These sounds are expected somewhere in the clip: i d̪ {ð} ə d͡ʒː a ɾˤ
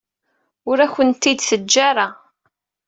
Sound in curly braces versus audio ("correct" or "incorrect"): incorrect